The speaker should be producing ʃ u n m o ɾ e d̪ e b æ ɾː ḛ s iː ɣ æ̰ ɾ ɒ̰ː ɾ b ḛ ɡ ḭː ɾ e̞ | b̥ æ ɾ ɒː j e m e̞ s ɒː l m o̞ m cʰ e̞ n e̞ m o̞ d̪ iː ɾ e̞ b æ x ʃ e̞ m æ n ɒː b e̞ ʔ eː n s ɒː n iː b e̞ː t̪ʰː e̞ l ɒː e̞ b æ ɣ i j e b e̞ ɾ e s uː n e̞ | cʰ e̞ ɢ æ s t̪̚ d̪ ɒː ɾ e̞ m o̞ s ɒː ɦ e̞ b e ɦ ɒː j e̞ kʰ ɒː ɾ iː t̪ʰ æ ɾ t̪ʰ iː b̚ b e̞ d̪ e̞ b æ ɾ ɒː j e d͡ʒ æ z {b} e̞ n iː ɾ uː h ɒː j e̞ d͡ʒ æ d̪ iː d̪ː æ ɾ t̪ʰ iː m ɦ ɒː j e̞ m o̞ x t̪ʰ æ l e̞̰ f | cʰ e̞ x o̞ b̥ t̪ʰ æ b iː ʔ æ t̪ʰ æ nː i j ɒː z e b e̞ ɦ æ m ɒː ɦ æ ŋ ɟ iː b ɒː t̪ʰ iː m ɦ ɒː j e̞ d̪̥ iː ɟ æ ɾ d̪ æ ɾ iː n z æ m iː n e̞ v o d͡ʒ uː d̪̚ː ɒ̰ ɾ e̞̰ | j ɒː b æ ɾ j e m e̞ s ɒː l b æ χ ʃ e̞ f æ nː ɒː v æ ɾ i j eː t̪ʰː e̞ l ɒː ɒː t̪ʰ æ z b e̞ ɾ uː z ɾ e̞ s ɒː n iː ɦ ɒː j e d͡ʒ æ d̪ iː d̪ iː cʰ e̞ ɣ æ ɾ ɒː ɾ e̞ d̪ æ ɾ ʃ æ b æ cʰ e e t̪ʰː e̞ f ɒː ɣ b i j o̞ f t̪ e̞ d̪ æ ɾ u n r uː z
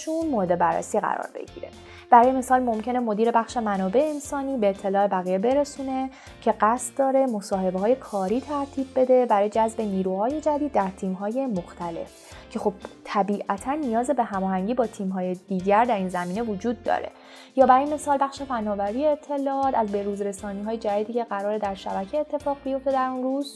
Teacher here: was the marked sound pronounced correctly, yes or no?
yes